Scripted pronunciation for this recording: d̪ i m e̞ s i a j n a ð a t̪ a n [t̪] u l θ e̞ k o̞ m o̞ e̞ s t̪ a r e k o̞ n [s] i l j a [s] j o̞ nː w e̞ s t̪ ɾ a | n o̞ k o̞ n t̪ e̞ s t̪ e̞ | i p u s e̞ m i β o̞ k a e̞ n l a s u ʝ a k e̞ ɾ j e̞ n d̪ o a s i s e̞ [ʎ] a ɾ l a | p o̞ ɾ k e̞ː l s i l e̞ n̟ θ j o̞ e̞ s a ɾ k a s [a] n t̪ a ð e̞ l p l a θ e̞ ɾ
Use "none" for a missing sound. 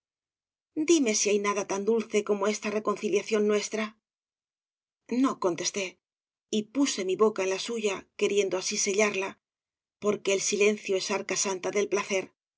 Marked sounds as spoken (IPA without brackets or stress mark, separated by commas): d̪, θ, θ, ʎ, a